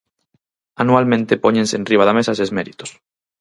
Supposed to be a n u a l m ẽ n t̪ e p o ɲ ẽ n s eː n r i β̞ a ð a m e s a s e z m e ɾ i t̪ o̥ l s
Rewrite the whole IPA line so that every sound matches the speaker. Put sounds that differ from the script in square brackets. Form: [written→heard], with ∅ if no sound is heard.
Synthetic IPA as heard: a n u a l m ẽ n t̪ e p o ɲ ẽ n s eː n r i β̞ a ð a m e s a s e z m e ɾ i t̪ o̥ [l→∅] s